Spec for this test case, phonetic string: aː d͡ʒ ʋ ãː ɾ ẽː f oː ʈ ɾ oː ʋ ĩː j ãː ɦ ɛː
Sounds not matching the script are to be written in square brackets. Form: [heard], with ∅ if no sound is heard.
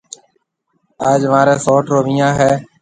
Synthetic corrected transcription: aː d͡ʒ ʋ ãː ɾ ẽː [s] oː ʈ ɾ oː ʋ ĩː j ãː ɦ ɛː